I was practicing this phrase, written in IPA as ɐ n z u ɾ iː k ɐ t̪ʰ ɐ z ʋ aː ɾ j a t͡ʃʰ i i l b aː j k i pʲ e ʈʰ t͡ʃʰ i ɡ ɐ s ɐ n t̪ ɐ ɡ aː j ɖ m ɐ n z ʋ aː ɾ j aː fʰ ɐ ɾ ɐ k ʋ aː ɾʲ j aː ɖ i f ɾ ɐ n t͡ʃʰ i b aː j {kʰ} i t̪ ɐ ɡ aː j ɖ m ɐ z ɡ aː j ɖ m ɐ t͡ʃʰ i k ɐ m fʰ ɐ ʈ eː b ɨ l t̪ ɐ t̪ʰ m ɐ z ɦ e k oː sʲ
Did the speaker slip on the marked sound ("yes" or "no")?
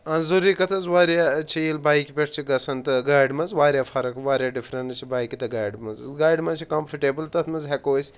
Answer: yes